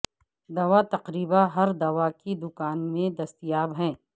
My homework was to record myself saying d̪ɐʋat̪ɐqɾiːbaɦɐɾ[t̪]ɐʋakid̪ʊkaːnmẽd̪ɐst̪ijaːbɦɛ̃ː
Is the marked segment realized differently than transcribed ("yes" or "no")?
yes